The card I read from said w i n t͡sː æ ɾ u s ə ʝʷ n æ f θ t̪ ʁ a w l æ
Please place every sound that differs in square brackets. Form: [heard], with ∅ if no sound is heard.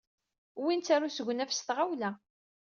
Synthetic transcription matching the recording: w i n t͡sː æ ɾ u s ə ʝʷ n æ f [s] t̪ ʁ a w l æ